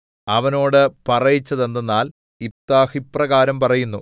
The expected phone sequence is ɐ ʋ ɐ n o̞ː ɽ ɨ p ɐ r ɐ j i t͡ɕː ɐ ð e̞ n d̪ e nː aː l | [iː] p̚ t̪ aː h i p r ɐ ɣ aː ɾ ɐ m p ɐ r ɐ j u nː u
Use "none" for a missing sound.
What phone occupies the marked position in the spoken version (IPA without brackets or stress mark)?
i